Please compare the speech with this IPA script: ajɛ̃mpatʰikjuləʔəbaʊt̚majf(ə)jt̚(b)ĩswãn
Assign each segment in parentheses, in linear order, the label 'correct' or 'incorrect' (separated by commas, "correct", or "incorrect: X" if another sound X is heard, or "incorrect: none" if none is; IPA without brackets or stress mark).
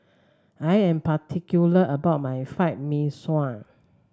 incorrect: a, incorrect: m